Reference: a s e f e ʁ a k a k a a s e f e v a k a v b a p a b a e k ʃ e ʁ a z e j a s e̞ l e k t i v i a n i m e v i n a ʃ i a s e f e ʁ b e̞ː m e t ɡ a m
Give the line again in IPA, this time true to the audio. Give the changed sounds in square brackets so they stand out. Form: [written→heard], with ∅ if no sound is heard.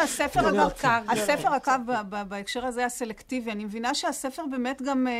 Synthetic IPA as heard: a s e f e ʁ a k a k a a s e f e [v→ʁ] a k a v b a [p→b] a b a e k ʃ e ʁ a z e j a s e̞ l e k t i v i a n i m e v i n a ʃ [i→e] a s e f e ʁ b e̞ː m e t ɡ a m